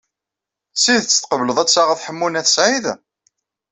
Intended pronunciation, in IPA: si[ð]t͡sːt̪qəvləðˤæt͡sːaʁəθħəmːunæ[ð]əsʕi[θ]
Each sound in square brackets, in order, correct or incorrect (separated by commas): correct, incorrect, incorrect